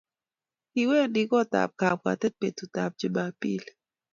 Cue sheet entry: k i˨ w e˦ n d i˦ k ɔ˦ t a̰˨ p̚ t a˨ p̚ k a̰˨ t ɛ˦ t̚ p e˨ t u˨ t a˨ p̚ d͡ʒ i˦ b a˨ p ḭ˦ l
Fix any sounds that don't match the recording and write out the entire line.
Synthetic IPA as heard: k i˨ w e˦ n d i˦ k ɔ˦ t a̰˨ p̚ k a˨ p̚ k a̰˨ t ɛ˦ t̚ p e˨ t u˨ t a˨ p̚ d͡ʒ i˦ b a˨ p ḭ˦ l

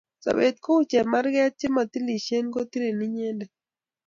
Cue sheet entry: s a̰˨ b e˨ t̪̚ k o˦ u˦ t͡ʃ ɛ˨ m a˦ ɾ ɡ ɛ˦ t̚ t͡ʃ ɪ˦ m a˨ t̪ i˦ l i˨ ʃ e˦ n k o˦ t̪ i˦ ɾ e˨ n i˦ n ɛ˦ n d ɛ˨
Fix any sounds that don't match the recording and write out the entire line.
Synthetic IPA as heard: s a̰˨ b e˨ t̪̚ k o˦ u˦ t͡ʃ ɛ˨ m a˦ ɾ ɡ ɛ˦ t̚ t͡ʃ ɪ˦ m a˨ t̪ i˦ l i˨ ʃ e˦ n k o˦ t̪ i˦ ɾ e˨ n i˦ ɲ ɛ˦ n d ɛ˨

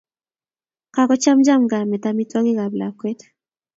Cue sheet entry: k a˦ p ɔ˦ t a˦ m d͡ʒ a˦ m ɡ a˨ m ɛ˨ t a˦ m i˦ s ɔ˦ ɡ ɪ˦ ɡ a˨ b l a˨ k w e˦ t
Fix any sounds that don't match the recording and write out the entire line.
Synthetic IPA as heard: k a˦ k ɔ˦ t͡ʃ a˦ m d͡ʒ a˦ m ɡ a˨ m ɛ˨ t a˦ m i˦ t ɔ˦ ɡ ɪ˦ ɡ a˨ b l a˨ k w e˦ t

